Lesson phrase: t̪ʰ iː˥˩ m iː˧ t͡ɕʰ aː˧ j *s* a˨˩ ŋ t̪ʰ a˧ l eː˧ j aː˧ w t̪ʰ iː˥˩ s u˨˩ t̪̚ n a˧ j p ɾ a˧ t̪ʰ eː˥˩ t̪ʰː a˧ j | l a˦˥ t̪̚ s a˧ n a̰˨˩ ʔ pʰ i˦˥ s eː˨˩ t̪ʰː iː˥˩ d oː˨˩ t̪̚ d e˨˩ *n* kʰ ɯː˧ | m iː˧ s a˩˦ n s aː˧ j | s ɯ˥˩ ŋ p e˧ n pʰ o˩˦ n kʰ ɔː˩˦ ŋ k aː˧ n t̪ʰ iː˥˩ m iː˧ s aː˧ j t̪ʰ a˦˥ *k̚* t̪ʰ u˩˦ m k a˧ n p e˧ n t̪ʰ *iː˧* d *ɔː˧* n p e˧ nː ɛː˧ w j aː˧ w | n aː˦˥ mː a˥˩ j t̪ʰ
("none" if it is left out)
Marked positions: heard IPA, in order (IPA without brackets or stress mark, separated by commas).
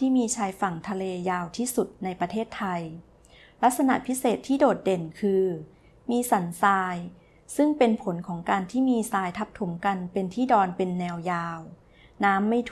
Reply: f, n, p̚, iː˥˩, ɔː˧